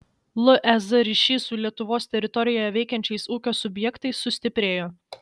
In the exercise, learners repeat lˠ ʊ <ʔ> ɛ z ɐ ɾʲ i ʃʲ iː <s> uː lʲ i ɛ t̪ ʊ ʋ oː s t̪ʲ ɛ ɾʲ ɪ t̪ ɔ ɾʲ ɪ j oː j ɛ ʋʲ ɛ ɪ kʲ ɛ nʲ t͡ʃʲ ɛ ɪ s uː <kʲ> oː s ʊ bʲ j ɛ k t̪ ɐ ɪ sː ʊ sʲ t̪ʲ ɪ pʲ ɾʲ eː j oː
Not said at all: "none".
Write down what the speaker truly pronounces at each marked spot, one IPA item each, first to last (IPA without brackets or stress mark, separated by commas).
ʔ, s, kʲ